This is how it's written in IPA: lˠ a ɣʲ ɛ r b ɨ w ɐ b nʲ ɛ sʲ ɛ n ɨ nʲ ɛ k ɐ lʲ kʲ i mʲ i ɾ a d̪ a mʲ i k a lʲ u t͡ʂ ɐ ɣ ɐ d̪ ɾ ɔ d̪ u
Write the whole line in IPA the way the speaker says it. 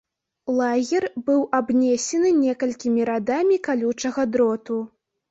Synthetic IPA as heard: lˠ a ɣʲ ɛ r b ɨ w a b nʲ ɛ sʲ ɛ n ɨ nʲ ɛ k ɐ lʲ kʲ i mʲ i ɾ a d̪ a mʲ i k a lʲ u t͡ʂ ɐ ɣ ɐ d̪ ɾ ɔ t̪ u